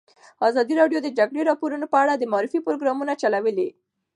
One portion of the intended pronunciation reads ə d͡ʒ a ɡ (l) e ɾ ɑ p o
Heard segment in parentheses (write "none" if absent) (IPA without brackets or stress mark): ɽ